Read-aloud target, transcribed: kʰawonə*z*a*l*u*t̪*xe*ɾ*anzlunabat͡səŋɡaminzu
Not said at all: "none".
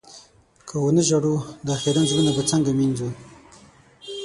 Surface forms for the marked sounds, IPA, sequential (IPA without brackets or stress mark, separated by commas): ʒ, ɽ, d̪, ɾ